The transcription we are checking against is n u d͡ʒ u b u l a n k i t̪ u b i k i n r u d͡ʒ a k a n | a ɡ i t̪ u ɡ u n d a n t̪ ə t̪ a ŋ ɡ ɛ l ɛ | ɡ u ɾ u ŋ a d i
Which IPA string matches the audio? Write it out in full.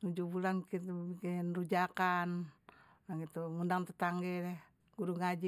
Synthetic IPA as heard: n u d͡ʒ u b u l a n k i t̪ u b i k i n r u d͡ʒ a k a n | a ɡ i t̪ u ŋ u n d a ŋ t̪ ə t̪ a ŋ ɡ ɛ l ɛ | ɡ u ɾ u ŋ a d͡ʒ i